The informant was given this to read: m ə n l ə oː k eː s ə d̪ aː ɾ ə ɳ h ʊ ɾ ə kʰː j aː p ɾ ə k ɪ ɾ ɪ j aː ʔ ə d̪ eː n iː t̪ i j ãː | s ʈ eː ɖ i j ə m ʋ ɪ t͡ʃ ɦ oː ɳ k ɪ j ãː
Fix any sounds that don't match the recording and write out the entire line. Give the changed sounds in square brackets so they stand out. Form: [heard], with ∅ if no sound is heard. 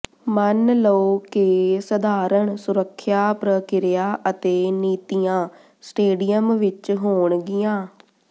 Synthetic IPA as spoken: m ə n l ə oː k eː s ə d̪ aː ɾ ə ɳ [s] ʊ ɾ ə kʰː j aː p ɾ ə k ɪ ɾ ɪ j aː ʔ ə [t̪] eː n iː t̪ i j ãː | s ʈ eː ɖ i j ə m ʋ ɪ t͡ʃ ɦ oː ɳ [ɡ] ɪ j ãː